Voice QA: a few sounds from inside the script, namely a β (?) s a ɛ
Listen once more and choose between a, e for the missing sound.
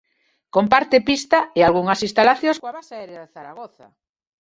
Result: a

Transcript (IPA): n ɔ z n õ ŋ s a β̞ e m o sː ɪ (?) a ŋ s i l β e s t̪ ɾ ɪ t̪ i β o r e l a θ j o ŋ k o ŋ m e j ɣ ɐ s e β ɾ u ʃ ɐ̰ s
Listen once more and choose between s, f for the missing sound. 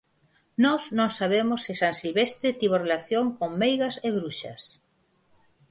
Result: s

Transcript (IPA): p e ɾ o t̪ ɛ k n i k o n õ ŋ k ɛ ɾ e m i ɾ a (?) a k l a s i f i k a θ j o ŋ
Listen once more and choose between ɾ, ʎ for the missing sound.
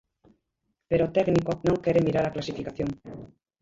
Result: ɾ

